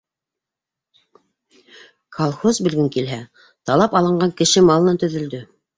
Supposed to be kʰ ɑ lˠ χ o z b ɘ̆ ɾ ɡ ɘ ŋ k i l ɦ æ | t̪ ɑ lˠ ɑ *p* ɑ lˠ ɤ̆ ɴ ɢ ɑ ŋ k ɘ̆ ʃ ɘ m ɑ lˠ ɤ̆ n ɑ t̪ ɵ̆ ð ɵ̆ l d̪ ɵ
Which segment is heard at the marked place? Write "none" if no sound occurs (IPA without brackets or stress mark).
p